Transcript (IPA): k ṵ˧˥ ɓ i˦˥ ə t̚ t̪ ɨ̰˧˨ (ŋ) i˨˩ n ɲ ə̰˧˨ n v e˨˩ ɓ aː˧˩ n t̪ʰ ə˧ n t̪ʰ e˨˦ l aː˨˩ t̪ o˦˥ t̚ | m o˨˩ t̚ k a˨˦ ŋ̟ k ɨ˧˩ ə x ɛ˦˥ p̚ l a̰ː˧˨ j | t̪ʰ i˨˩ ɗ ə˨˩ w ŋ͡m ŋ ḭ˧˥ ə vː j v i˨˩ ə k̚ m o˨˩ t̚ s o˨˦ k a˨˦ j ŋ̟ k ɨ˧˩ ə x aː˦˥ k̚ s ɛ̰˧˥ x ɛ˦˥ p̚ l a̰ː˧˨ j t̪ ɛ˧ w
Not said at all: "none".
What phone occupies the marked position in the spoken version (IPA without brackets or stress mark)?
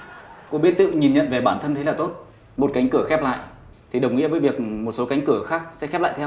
ɲ